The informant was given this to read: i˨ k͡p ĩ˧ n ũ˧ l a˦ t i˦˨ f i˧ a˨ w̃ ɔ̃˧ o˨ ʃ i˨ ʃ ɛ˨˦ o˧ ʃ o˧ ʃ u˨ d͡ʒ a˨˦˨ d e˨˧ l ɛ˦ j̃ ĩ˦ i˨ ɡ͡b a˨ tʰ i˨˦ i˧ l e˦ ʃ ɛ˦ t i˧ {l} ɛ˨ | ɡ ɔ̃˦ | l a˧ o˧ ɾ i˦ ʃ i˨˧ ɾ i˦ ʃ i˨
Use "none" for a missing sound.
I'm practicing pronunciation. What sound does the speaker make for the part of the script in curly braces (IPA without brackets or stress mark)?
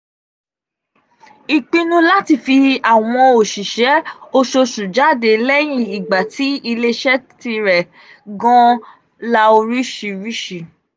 ɾ